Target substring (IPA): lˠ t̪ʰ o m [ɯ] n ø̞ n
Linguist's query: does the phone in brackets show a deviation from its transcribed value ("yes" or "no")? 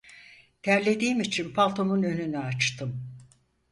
yes